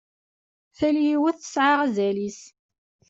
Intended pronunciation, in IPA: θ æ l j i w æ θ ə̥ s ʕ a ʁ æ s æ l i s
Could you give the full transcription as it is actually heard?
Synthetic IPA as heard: θ æ l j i w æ θ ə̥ s ʕ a ʁ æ z æ l i s